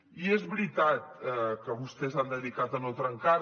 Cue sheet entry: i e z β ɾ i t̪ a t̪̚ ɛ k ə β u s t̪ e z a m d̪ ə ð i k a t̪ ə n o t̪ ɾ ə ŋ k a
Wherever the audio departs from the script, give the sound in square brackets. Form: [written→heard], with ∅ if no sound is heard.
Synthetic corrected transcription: i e z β ɾ i t̪ a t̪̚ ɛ k ə β u s t̪ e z a [m→n] d̪ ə ð i k a t̪ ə n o t̪ ɾ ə ŋ k a

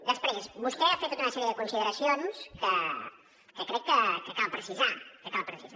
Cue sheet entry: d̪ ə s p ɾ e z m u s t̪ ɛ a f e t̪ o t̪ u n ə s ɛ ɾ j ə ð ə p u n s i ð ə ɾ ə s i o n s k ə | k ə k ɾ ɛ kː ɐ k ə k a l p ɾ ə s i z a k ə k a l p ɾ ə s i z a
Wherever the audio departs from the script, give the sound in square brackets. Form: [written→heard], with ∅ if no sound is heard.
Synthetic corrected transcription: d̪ ə s p ɾ e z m u s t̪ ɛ a f e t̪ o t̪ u n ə s ɛ ɾ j ə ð ə [p→k] u n s i ð ə ɾ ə s i o n s k ə | k ə k ɾ ɛ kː [ɐ→ə] k ə k a l p ɾ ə s i z a k ə k a l p ɾ ə s i z a

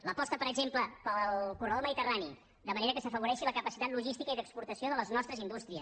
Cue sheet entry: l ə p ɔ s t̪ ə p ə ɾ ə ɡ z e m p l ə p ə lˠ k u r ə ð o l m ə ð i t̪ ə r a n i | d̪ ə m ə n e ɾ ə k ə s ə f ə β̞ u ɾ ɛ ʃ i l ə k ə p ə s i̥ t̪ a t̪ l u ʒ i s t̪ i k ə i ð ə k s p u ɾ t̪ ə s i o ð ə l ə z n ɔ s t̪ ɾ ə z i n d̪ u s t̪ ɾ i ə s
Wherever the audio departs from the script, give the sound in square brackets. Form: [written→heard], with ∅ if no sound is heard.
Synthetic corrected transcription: l ə p ɔ s t̪ ə p ə ɾ ə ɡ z e m p l ə p ə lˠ k u r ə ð o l m ə ð i t̪ ə r a n i | d̪ ə m ə n e ɾ ə k ə s ə f ə β̞ u ɾ ɛ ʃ i l ə k ə p ə s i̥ t̪ a t̪ l u ʒ i s t̪ i k ə i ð ə k s p u ɾ t̪ ə s i o ð ə l ə z n ɔ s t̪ ɾ ə z i n d̪ u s t̪ ɾ i ə s

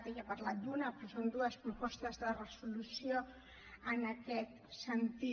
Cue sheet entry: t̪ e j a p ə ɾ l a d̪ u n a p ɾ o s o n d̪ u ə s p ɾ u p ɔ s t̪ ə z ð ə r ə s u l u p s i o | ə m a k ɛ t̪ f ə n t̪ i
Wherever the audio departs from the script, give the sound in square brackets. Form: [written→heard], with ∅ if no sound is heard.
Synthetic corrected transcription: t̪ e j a p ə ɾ l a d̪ u n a p ɾ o s o n d̪ u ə s p ɾ u p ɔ s t̪ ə z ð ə r ə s u l u [p→∅] s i o | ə [m→n] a k ɛ t̪ [f→s] ə n t̪ i

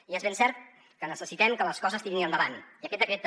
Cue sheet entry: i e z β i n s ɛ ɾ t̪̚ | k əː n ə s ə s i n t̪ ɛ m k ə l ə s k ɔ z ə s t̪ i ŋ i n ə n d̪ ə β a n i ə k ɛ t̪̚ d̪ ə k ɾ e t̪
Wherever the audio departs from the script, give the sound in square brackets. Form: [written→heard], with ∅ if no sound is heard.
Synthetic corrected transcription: i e z β [i→e] n s ɛ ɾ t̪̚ | k [əː→ə] n ə s ə s i [n→∅] t̪ ɛ m k ə l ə s k ɔ z ə s t̪ i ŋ i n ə n d̪ ə β a n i ə k ɛ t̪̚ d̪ ə k ɾ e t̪

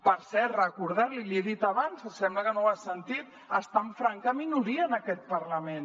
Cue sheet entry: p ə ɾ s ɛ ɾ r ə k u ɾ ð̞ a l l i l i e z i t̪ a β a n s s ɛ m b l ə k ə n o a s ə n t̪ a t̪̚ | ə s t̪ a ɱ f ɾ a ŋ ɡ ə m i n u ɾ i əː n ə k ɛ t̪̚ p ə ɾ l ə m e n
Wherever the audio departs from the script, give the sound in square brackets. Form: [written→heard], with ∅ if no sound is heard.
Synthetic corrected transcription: p ə ɾ s ɛ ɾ r ə k u ɾ ð̞ a [l→ɾ] l i l i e [z→ð] i t̪ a β a n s s ɛ m b l ə k ə n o a s ə n t̪ [a→i] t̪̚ | ə s t̪ a ɱ f ɾ a ŋ [ɡ→k] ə m i n u ɾ i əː n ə k ɛ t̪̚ p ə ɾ l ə m e n

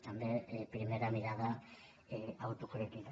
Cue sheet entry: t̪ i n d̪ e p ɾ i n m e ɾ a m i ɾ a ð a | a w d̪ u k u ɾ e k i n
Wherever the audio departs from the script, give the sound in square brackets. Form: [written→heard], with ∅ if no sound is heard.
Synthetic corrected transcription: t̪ [i→a] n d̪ e p ɾ i [n→∅] m e ɾ a m i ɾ a ð a | a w [d̪→t̪] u k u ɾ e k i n

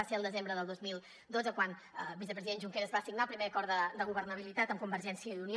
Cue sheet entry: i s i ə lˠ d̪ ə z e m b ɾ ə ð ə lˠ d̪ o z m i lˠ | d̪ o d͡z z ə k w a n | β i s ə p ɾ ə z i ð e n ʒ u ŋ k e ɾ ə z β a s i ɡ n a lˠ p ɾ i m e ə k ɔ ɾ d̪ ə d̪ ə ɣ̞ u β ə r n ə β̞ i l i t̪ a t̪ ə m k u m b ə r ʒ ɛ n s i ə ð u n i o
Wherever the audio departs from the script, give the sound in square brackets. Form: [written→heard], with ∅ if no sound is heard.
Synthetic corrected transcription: [i→a] s [i→e] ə lˠ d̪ ə z e m b ɾ ə ð ə lˠ d̪ o z m i lˠ | d̪ o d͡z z ə k w a n | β i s ə p ɾ ə z i ð e n ʒ u ŋ k e ɾ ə z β a s i ɡ n a lˠ p ɾ i m e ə k ɔ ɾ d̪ ə d̪ ə ɣ̞ u β ə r n ə β̞ i l i t̪ a t̪ ə m k u m b ə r ʒ ɛ n s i ə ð u n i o

